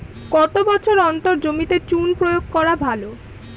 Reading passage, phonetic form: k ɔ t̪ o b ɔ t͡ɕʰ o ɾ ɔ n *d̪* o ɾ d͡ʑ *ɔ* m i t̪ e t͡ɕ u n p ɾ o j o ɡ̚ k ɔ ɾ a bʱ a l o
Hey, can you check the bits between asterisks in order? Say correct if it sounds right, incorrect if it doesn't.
incorrect: t̪, incorrect: o

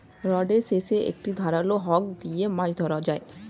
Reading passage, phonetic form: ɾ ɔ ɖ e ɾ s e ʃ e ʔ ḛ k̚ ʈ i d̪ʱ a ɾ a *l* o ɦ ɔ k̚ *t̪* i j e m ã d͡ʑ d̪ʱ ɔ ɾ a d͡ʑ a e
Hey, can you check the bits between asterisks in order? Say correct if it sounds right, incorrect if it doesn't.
correct, incorrect: d̪

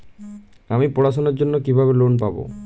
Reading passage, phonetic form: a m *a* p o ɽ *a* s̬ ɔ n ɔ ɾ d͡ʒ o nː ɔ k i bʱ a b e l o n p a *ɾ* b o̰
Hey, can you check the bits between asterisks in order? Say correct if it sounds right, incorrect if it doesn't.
incorrect: i, correct, incorrect: none

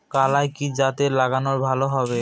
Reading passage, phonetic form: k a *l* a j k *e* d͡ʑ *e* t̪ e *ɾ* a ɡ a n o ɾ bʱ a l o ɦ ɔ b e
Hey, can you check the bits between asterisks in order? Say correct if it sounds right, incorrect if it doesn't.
correct, incorrect: i, incorrect: a, incorrect: l

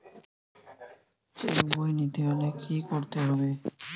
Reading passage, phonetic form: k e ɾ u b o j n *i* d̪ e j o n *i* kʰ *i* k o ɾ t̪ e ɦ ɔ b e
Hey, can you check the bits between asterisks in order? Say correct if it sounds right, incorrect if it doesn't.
correct, incorrect: e, correct

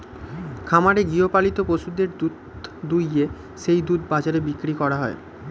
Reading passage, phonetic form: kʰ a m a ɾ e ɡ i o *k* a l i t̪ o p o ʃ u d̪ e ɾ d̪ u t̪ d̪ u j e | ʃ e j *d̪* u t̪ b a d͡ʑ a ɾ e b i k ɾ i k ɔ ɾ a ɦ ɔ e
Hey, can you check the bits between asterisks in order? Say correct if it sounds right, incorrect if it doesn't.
incorrect: p, correct

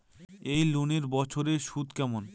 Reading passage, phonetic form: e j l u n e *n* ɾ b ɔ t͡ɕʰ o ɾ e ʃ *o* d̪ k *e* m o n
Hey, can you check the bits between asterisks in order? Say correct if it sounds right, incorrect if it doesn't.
incorrect: none, incorrect: u, incorrect: ɛ

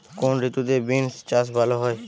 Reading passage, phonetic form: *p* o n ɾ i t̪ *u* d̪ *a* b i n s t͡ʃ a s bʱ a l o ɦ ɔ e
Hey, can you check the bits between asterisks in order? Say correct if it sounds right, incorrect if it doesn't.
incorrect: k, correct, incorrect: e

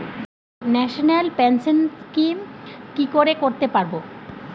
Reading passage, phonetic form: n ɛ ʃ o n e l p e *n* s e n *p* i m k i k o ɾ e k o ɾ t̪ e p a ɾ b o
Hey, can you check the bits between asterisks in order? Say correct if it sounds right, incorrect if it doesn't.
correct, incorrect: k

